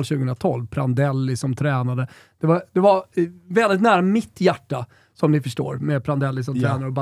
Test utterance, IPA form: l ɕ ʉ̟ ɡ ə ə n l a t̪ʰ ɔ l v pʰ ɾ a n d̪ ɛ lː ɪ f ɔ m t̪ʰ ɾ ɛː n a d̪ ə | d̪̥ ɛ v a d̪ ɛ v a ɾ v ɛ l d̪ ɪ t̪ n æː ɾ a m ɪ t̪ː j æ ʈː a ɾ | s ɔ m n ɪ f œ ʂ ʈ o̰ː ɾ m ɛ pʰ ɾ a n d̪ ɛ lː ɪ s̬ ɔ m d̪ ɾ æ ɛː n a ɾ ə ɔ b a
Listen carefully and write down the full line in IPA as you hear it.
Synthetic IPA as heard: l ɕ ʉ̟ ɡ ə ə n ɾ a t̪ʰ ɔ l v pʰ ɾ a n d̪ ɛ lː ɪ s ɔ m t̪ʰ ɾ ɛː n a d̪ ə | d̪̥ ɛ v a d̪ ɛ v a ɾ v ɛ l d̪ ɪ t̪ n æː ɾ a m ɪ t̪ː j æ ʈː a | s ɔ m n ɪ f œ ʂ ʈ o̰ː ɾ m ɛ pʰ ɾ a n d̪ ɛ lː ɪ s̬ ɔ m t̪ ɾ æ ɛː n a ɾ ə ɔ b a